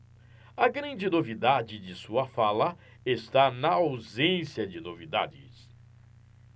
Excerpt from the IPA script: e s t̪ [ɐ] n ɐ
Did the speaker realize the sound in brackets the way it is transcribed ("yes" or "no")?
no